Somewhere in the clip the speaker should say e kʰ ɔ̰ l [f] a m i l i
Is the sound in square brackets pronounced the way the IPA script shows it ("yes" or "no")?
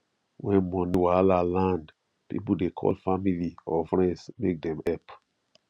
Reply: yes